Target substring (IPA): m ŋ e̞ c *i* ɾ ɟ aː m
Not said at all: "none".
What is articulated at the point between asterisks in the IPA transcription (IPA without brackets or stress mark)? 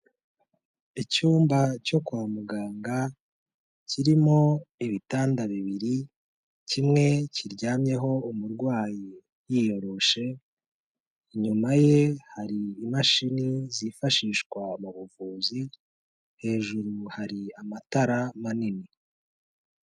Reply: i